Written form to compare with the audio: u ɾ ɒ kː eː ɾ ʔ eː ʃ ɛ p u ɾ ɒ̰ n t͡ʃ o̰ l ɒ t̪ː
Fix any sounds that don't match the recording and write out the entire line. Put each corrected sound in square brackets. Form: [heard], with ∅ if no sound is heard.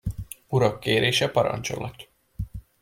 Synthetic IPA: u ɾ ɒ kː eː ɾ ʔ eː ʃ ɛ p [ɒ] ɾ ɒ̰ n t͡ʃ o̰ l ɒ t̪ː